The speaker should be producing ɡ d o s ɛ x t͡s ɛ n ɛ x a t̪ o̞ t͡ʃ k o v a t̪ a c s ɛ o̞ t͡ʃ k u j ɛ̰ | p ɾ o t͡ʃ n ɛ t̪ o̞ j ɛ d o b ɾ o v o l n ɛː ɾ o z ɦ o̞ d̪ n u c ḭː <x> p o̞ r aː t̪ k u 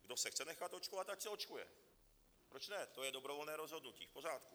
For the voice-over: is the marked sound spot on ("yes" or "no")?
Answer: no